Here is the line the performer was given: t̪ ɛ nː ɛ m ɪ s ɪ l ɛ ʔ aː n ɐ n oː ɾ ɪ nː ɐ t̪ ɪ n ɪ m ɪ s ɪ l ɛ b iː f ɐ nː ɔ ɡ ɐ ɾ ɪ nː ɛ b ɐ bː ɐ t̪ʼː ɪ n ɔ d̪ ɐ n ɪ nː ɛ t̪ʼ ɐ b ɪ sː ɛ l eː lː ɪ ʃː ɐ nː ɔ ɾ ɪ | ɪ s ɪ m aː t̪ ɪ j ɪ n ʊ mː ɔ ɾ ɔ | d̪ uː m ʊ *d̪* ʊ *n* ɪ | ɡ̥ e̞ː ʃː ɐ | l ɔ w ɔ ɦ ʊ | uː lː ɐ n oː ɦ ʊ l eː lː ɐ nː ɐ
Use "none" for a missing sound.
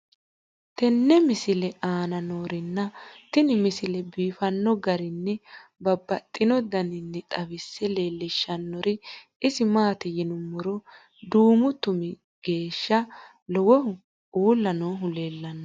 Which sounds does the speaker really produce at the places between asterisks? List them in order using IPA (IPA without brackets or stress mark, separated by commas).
t̪, m